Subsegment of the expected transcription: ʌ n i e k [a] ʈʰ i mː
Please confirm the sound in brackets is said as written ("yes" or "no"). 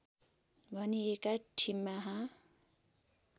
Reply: yes